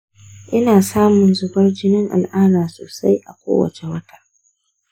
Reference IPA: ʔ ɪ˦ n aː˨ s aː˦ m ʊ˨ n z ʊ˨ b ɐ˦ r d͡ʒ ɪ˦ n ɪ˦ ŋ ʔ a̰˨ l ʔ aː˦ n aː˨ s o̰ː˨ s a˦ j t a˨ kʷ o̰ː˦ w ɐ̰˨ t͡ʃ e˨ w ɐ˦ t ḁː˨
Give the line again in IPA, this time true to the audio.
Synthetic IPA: ʔ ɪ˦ n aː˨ s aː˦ m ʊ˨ n z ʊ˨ b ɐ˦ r d͡ʒ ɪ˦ n ɪ˦ ŋ ʔ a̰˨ l ʔ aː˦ n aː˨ s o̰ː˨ s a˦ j ʔ a˨ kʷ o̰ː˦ w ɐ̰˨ t͡ʃ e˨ w ɐ˦ t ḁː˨